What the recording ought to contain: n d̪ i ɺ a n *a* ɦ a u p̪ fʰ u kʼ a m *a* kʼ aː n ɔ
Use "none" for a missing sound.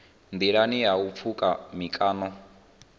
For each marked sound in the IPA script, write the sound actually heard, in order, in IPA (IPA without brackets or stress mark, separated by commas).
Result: i, i